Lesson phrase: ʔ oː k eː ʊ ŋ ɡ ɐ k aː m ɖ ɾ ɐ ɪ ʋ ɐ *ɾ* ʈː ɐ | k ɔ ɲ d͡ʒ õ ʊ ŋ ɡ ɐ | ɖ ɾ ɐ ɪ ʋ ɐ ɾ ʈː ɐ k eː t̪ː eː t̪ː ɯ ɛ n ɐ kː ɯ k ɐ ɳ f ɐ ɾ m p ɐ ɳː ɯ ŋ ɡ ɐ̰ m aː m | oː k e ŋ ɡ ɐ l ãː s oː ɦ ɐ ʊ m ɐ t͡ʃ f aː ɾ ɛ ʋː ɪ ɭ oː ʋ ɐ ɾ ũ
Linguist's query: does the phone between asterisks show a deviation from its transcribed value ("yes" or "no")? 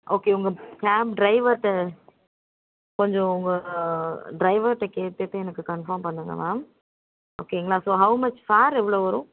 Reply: no